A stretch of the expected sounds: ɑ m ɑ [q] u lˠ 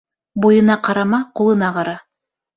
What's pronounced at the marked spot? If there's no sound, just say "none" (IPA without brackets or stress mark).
q